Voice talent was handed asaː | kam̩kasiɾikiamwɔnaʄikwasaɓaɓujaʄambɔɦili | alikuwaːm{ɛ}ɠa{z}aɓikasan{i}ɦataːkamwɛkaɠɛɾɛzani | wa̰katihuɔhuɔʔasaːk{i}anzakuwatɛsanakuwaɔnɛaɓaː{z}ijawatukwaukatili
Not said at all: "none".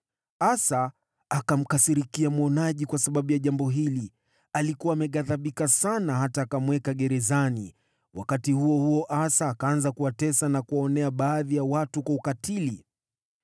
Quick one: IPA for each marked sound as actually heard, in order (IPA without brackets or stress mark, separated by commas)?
ɛ, ð, a, a, ð